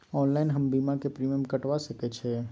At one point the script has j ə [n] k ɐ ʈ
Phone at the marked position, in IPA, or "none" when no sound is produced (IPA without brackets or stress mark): m